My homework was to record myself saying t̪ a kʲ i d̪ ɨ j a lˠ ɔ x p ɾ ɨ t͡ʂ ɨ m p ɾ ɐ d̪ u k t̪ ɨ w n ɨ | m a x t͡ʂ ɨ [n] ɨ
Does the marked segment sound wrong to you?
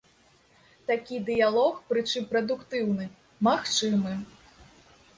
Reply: yes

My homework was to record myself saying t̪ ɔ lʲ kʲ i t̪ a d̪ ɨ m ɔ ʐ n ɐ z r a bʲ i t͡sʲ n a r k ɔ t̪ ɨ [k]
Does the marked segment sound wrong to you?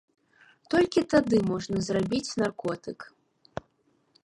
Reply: no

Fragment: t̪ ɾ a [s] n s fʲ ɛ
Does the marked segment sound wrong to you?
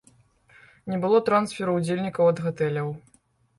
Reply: yes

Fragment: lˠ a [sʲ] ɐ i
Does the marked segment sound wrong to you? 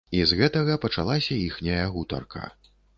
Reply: no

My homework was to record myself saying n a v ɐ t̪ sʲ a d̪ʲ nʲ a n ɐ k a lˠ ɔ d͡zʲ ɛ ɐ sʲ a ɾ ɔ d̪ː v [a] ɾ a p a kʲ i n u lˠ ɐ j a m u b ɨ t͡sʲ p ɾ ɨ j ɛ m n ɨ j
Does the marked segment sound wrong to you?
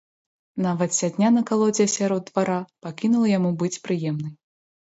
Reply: no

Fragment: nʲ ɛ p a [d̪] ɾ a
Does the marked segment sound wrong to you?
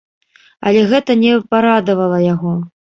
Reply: yes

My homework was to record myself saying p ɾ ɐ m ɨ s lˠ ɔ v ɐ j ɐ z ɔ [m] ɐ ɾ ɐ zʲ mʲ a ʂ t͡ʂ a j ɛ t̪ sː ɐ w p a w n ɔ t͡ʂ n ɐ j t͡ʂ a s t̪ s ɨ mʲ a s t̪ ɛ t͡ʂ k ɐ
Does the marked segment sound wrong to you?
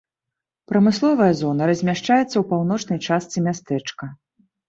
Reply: yes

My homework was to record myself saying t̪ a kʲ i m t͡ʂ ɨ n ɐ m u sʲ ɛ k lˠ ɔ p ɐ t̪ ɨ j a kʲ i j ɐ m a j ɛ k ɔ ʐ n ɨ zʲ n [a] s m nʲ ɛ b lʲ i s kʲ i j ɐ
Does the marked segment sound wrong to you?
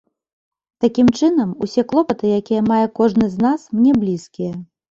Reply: no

